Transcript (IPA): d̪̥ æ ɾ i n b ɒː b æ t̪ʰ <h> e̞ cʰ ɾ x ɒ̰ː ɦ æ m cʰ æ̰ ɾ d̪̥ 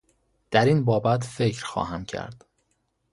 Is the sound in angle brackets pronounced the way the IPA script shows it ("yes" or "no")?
no